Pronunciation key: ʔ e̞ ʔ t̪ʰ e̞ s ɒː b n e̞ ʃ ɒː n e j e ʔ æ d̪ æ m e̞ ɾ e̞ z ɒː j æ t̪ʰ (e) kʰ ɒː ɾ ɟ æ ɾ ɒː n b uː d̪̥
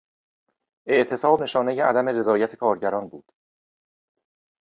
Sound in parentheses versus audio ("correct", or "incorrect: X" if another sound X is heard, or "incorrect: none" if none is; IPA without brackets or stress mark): correct